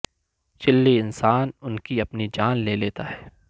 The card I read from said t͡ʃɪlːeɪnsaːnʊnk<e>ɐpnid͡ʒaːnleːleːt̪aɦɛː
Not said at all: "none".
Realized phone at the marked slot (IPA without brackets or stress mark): i